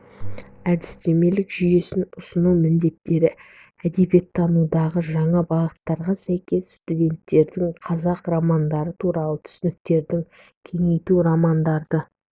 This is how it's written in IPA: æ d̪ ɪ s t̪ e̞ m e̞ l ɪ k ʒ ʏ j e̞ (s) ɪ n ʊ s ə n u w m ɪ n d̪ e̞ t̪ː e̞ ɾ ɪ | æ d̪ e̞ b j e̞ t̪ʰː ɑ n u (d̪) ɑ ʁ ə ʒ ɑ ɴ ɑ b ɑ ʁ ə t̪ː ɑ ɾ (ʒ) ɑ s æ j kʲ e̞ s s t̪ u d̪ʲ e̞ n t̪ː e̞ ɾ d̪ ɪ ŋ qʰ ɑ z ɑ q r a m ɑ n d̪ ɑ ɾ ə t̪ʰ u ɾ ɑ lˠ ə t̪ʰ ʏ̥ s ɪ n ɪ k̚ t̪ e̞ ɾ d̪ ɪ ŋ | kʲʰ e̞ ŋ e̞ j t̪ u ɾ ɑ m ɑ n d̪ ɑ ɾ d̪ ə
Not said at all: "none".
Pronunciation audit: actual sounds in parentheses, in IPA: s, d̪, ʁ

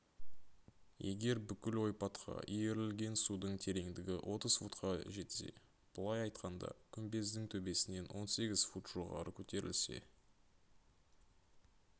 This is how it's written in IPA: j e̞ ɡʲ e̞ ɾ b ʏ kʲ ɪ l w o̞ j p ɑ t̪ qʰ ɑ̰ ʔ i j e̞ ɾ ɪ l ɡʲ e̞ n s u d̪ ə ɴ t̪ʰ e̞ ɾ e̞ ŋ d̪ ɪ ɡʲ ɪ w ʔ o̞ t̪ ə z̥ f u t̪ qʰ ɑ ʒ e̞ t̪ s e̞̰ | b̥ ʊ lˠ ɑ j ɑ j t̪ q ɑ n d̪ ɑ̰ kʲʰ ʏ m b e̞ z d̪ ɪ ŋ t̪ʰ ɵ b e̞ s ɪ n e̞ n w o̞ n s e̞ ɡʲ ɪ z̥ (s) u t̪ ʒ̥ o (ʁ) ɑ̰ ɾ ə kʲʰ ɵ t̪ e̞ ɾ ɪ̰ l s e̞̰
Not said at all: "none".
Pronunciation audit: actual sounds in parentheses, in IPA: f, ʁ

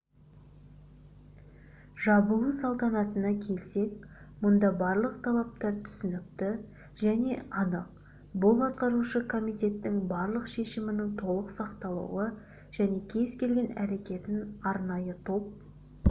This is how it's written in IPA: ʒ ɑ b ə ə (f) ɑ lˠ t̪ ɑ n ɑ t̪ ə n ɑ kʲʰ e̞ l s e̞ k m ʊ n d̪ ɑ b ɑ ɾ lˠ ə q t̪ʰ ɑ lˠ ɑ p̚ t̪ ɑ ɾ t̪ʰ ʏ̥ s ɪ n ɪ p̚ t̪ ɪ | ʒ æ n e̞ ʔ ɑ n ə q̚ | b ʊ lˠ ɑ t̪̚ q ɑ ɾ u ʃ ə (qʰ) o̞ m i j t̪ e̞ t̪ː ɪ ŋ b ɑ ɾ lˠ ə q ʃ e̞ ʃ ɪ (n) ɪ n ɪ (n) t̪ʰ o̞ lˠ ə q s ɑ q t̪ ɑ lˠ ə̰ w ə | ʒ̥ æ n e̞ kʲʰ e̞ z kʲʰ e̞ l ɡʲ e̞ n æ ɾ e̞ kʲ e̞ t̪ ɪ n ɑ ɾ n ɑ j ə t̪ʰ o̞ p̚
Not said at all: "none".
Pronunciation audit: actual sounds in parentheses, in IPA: s, kʰ, m, ŋ

